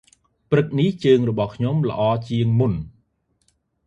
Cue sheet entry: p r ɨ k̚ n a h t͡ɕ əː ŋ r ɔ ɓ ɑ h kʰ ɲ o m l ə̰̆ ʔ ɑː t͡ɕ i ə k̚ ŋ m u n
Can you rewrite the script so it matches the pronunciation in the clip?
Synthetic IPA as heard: p r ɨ k̚ n i h t͡ɕ əː ŋ r ɔ ɓ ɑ h kʰ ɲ o m l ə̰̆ ʔ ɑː t͡ɕ i ə ŋ m u n